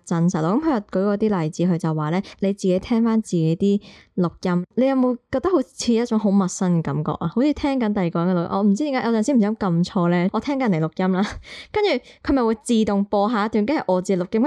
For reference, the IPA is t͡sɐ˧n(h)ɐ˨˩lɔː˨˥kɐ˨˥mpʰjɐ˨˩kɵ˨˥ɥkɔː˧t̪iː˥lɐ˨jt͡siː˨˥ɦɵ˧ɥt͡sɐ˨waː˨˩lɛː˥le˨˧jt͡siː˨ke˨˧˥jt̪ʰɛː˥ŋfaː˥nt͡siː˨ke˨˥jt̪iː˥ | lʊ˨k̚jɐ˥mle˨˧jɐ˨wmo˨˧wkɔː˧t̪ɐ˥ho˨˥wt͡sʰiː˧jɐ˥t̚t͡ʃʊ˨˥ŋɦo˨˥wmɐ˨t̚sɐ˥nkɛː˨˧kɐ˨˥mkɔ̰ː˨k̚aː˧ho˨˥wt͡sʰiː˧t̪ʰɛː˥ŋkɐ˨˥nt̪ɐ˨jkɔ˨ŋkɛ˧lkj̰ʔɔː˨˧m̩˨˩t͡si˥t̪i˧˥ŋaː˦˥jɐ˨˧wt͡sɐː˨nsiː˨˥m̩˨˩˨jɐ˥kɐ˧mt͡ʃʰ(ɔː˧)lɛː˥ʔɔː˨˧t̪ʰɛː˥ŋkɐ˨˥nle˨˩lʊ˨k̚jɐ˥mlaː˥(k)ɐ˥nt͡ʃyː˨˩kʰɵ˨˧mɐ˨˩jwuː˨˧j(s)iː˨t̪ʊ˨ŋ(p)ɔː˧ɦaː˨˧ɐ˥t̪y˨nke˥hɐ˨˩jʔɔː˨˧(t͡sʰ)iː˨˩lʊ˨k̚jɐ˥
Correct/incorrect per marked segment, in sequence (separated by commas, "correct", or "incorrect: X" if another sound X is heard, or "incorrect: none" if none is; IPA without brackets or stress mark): incorrect: s, correct, correct, incorrect: t͡s, correct, incorrect: t͡s